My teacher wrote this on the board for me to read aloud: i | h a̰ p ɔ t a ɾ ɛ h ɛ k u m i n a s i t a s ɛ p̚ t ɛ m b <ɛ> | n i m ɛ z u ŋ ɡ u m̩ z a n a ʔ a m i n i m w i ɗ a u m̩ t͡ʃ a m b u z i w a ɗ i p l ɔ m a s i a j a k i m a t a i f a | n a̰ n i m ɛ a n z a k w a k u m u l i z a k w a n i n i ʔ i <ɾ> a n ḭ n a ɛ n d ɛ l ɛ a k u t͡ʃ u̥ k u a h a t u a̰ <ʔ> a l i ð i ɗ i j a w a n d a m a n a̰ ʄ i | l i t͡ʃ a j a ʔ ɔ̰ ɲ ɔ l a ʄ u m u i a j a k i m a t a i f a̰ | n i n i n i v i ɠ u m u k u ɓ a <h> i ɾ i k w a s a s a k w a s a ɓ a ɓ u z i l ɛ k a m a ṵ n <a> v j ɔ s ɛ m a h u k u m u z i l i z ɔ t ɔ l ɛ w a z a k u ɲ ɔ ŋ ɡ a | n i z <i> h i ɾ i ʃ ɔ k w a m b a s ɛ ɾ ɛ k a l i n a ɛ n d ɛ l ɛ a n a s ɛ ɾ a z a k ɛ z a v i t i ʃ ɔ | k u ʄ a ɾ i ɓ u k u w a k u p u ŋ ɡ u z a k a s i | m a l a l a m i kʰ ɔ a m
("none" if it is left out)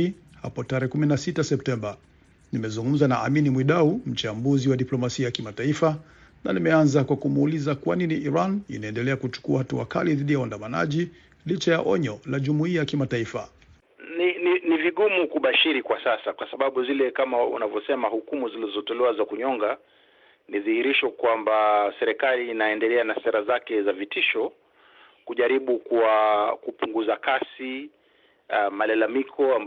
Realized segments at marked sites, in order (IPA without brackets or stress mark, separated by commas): a, ɾ, k, ʃ, a, i